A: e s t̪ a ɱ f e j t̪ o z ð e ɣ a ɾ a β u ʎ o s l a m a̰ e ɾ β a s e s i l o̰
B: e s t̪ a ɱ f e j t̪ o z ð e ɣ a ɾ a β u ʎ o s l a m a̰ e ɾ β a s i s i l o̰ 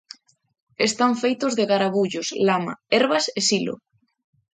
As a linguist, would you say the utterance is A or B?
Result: A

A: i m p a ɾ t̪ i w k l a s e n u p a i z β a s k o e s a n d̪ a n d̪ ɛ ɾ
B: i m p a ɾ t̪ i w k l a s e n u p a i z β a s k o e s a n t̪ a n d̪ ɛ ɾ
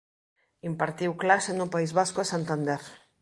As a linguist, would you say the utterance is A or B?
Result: B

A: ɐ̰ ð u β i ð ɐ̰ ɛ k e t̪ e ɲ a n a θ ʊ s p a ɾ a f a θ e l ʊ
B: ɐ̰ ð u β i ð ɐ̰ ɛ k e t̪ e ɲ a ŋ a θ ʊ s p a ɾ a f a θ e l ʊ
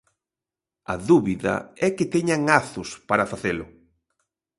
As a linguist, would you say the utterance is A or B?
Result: B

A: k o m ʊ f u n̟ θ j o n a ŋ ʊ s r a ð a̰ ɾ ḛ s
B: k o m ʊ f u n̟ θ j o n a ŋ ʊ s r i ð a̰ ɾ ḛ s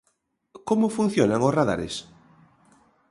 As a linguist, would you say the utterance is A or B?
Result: A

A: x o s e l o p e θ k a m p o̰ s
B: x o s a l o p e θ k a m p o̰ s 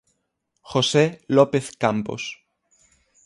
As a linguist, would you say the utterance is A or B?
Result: A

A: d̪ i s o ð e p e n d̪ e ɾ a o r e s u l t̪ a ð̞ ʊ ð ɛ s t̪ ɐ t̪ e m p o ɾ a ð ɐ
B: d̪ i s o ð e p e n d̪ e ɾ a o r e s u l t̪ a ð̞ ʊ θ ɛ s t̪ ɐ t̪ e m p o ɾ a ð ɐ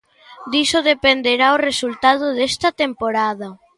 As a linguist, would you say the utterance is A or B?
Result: A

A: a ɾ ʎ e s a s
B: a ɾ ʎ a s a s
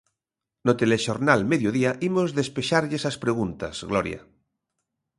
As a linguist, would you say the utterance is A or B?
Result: A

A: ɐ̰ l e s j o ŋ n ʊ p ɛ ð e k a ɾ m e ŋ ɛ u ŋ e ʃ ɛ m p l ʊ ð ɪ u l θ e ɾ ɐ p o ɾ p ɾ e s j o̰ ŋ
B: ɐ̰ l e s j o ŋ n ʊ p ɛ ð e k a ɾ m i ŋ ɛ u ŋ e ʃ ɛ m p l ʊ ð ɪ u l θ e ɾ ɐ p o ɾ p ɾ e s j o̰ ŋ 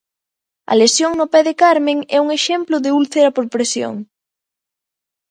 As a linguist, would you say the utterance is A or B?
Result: A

